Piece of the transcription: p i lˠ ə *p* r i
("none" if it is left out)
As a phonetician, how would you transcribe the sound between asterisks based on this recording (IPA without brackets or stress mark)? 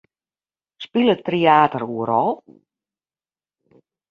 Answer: t